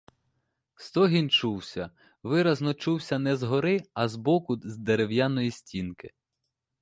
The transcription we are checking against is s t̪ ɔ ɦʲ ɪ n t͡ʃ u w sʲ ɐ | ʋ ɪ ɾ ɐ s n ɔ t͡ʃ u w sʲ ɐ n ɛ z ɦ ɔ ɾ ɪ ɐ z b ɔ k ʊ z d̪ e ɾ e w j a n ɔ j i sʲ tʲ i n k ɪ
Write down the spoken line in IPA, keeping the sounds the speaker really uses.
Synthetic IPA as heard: s t̪ ɔ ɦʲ i n t͡ʃ u w sʲ ɐ | ʋ ɪ ɾ ɐ z n ɔ t͡ʃ u w sʲ ɐ n ɛ z ɦ ɔ ɾ ɪ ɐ z b ɔ k ʊ z d̪ e ɾ e w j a n ɔ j i sʲ tʲ i n k ɪ